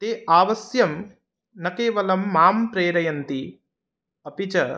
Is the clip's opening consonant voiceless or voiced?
voiceless